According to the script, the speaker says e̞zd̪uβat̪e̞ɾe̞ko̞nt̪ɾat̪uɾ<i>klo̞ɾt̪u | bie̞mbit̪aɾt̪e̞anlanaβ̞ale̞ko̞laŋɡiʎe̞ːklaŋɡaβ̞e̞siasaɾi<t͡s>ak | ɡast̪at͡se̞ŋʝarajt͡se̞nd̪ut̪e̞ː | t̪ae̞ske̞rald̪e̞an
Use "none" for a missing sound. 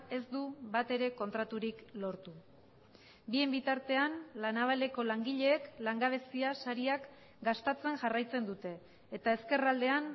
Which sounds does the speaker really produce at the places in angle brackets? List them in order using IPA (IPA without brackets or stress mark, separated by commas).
i, none